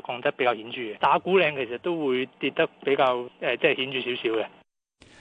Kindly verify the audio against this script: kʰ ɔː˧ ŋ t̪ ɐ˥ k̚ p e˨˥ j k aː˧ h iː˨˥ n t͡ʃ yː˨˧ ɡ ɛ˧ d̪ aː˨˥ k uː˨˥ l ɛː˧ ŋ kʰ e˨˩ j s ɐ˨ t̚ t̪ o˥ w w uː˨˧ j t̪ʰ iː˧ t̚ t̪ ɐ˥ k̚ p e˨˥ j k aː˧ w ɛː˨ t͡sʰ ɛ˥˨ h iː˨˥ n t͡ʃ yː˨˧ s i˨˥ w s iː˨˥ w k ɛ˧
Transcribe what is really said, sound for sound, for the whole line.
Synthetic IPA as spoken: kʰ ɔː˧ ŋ t̪ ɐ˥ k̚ p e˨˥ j k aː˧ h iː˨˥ n t͡ʃ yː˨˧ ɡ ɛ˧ t̪ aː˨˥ k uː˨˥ l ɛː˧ ŋ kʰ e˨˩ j s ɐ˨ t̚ t̪ o˥ w w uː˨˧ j t̪ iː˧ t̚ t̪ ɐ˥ k̚ p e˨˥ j k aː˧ w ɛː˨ t͡s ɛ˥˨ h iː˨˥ n t͡ʃ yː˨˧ s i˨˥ w s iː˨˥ w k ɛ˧